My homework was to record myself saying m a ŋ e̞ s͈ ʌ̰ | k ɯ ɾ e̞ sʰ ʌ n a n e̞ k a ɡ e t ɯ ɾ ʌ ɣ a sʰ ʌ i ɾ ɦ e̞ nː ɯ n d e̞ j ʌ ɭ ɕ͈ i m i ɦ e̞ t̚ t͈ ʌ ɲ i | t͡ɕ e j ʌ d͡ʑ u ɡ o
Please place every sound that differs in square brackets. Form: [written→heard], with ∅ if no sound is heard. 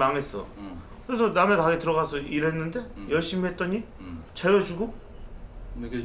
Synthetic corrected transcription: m a ŋ e̞ s͈ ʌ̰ | k ɯ ɾ e̞ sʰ ʌ n a [n→m] e̞ k a ɡ e t ɯ ɾ ʌ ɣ a sʰ ʌ i ɾ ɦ e̞ nː ɯ n d e̞ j ʌ ɭ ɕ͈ i m i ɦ e̞ t̚ t͈ ʌ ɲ i | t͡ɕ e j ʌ d͡ʑ u ɡ o